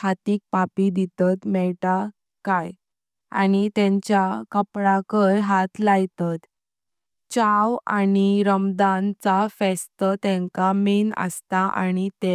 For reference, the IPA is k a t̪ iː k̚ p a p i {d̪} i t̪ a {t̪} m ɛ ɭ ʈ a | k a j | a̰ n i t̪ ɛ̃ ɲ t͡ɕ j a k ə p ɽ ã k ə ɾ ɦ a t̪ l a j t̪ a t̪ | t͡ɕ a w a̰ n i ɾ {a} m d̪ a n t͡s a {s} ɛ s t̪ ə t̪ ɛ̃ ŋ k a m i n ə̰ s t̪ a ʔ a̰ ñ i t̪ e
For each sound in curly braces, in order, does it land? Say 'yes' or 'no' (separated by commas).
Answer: yes, yes, no, no